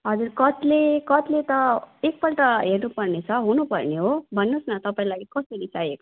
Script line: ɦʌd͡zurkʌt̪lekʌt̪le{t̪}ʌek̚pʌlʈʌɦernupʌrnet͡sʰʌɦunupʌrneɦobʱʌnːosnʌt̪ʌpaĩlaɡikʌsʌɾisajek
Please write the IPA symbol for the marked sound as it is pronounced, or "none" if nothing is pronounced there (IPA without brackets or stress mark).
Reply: t̪